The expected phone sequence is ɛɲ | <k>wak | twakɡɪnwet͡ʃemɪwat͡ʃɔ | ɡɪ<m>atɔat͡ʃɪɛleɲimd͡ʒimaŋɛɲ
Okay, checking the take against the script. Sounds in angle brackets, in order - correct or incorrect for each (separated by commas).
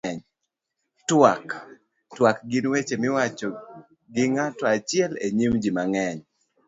incorrect, incorrect